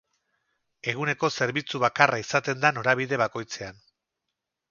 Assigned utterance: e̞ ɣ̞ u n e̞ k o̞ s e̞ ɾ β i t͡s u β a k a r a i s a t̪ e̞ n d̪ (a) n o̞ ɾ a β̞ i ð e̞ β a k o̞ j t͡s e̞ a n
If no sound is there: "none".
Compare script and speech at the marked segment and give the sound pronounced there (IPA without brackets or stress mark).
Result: a